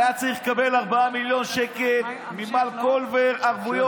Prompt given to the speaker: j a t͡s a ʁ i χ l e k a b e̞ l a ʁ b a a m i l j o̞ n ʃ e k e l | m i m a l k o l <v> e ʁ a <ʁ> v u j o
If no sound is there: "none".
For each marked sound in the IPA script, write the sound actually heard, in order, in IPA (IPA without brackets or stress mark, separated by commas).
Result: v, ʁ